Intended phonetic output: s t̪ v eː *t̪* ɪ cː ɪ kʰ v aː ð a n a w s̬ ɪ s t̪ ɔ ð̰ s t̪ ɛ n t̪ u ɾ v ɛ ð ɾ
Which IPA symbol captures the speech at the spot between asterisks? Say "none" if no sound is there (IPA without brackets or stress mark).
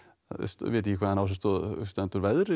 t̪